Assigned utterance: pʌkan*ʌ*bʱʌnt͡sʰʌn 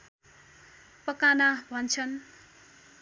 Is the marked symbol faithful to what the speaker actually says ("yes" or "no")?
no